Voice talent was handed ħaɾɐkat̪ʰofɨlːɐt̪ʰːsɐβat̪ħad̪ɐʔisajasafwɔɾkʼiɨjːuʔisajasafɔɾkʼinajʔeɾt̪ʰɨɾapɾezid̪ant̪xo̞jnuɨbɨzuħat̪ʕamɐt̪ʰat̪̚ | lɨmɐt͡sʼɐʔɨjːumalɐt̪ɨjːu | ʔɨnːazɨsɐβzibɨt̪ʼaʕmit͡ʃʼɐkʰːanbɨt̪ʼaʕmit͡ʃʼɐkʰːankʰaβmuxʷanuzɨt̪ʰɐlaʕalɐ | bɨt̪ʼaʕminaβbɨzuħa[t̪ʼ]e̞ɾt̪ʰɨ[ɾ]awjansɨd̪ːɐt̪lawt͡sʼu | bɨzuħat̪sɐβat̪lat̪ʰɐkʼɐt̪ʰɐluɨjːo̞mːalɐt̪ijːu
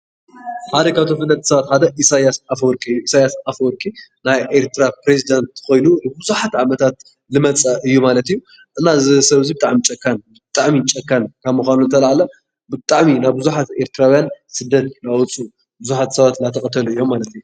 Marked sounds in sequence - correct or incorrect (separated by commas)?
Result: incorrect, correct